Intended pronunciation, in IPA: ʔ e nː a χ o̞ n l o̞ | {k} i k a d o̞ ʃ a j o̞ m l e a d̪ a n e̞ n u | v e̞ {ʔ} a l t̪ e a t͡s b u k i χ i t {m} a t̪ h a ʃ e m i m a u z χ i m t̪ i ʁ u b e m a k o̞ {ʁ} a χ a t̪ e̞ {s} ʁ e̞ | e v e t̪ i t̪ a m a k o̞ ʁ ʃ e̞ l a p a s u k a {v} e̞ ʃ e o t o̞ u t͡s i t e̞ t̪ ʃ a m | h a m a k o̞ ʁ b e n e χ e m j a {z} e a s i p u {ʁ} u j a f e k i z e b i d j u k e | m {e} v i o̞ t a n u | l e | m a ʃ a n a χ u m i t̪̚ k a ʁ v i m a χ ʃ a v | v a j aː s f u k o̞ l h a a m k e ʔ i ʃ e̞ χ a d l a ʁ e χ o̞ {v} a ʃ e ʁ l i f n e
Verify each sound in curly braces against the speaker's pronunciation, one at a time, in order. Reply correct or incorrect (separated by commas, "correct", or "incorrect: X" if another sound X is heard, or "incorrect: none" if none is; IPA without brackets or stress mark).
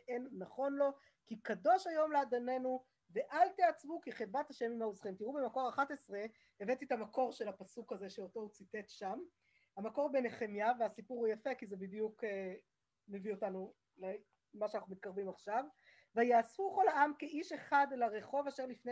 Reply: correct, correct, incorrect: b, correct, correct, incorrect: z, incorrect: v, correct, correct, correct